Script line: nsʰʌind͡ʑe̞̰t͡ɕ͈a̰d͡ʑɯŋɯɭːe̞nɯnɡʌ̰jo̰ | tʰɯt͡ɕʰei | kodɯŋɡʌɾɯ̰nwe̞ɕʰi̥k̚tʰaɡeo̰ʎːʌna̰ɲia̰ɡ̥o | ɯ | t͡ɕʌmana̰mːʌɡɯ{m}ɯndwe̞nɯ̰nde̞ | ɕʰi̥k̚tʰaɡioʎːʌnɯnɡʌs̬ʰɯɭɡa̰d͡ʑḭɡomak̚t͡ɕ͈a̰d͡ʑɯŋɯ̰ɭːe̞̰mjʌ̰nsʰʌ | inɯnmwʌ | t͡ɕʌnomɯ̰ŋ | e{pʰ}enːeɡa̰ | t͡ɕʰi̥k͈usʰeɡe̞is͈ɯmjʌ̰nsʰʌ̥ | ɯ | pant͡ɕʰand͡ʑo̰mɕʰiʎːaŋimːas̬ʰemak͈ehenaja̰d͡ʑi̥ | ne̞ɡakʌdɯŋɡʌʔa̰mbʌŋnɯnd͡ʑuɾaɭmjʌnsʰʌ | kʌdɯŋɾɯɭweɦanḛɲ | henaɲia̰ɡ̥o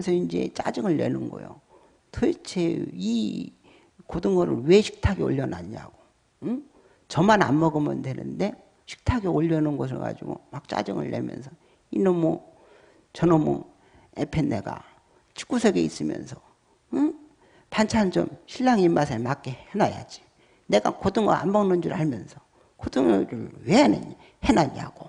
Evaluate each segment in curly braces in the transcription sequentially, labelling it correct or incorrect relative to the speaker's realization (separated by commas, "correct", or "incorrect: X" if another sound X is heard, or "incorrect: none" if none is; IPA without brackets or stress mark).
correct, correct